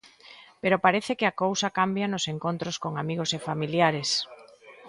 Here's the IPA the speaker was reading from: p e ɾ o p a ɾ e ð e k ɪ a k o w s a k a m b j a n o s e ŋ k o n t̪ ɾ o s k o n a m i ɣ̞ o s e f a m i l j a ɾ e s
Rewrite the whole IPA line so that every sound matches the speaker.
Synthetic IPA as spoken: p e ɾ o p a ɾ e θ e k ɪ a k o w s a k a m b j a n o s e ŋ k o n t̪ ɾ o s k o ŋ a m i ɣ̞ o s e f a m i l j a ɾ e s